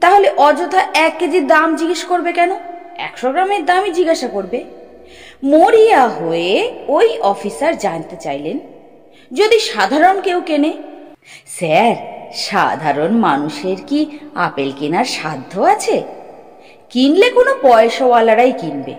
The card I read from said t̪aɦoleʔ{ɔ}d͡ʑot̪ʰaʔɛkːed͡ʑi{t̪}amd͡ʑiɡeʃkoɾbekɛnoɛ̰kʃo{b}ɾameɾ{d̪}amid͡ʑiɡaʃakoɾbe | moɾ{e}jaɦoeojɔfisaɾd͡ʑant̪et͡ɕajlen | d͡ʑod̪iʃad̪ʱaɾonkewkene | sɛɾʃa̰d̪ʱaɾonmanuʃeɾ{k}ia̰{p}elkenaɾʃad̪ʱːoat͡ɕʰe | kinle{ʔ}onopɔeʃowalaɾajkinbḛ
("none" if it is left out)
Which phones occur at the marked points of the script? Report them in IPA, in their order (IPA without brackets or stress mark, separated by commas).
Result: ɔ, d̪, ɡ, d̪, i, k, p, k